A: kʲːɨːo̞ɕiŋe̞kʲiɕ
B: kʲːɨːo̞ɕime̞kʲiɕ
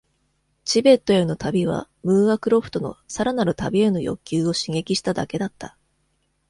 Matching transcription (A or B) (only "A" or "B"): A